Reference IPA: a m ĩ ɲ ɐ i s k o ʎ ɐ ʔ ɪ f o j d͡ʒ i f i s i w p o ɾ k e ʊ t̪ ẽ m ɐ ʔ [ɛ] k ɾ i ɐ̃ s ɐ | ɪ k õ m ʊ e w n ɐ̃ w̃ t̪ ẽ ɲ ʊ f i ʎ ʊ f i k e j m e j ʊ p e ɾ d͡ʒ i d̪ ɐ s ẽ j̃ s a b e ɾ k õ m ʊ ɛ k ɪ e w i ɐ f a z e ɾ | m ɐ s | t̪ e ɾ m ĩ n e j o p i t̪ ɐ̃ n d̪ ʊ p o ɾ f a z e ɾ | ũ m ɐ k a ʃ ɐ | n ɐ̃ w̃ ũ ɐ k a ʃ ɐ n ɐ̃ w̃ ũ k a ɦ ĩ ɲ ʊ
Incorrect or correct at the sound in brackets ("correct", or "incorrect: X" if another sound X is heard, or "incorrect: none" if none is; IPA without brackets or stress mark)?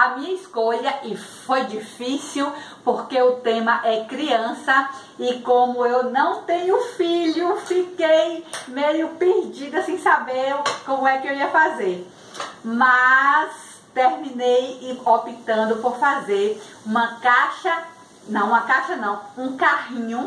correct